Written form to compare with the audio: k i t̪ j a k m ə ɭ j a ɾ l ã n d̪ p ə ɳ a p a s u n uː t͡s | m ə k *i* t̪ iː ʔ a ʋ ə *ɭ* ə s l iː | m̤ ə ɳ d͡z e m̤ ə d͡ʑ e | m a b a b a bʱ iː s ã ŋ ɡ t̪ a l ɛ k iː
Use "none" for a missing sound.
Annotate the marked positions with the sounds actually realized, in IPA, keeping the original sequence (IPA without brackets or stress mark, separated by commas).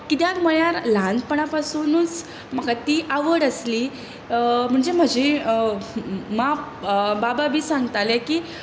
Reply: a, ɽ